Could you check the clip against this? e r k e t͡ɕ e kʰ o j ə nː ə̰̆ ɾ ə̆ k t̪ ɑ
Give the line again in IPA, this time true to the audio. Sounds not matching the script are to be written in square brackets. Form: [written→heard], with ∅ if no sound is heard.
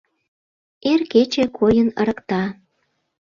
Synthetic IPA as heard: e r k e t͡ɕ e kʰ o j ə [nː→n] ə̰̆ ɾ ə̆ k t̪ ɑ